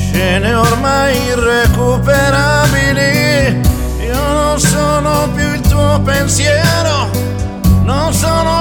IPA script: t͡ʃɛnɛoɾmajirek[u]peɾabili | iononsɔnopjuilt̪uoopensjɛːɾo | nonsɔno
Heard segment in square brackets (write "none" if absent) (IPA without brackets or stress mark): u